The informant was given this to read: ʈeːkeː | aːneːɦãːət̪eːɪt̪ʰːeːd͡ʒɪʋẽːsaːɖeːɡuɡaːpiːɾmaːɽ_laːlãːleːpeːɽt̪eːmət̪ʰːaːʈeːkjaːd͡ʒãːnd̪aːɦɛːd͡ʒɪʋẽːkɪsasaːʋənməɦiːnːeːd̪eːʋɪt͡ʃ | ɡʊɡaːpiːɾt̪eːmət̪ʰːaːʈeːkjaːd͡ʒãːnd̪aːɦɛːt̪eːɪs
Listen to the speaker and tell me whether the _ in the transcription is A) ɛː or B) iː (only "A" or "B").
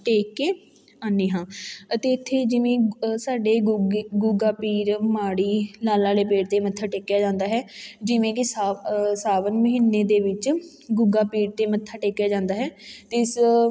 B